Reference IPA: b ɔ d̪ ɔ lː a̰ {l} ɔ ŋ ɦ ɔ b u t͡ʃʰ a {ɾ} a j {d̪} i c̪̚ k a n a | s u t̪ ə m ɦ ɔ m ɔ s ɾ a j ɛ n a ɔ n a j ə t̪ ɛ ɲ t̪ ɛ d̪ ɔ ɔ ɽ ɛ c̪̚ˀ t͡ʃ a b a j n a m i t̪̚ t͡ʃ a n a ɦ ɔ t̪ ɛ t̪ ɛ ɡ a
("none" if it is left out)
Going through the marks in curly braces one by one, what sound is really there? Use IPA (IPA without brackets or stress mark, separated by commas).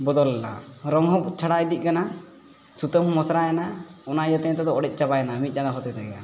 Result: ɾ, ɽ, d̪